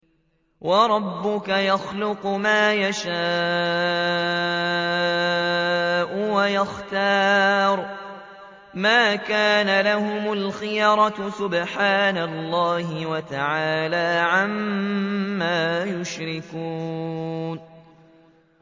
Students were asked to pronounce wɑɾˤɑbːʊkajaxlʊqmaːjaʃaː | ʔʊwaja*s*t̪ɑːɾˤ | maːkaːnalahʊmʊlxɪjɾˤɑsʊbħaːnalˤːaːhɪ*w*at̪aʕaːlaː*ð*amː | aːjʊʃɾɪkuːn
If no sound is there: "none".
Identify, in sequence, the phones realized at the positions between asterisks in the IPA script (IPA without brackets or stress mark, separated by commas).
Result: x, w, ʕ